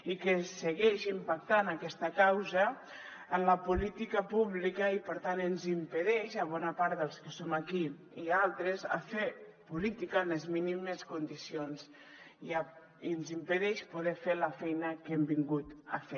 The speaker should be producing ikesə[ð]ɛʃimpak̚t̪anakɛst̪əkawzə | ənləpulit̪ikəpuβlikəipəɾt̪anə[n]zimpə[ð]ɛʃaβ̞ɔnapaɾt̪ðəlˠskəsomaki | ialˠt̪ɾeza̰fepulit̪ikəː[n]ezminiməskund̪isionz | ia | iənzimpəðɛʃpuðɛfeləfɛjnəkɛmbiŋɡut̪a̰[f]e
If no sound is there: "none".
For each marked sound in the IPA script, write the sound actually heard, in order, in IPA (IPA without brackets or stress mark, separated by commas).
ɣ, n, ð, n, f